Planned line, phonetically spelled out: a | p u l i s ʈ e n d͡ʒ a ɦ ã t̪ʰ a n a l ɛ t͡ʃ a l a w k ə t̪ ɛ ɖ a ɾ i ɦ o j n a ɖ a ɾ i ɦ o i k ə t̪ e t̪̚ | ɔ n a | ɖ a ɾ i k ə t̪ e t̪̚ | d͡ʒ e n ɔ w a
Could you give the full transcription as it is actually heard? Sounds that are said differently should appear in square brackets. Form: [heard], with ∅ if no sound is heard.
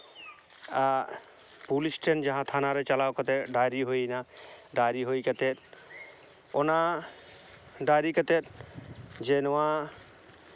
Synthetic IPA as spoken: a | p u l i s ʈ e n d͡ʒ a ɦ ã t̪ʰ a n a [ɾ] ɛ t͡ʃ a l a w k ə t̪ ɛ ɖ a ɾ i ɦ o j n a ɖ a ɾ i ɦ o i k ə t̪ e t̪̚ | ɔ n a | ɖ a ɾ i k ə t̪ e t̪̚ | d͡ʒ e n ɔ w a